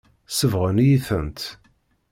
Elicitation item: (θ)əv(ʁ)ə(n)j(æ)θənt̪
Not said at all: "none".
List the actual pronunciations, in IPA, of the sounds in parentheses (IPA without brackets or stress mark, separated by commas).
s, ʁ, n, i